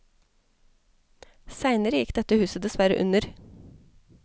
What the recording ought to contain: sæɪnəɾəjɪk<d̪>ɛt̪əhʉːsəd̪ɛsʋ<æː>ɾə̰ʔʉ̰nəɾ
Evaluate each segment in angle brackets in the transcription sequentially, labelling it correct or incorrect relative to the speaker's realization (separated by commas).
correct, incorrect